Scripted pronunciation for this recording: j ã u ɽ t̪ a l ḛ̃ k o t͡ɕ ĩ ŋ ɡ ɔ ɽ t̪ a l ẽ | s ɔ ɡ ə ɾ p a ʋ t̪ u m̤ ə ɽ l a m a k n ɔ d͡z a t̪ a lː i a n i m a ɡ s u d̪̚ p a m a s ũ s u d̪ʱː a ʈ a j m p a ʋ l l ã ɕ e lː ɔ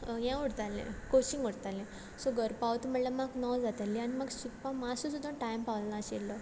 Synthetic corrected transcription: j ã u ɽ t̪ a l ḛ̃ k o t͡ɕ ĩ ŋ ɡ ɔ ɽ t̪ a l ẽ | s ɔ ɡ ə ɾ p a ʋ t̪ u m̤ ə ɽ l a m a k n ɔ d͡z a t̪ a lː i a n i m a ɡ s u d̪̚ p a m a s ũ s u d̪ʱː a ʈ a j m p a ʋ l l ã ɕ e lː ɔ